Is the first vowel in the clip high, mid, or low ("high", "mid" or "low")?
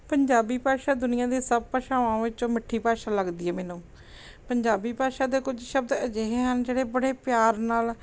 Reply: mid